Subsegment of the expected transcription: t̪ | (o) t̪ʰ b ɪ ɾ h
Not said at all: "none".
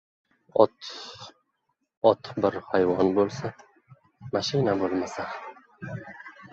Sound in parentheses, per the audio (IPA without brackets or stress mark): ɒ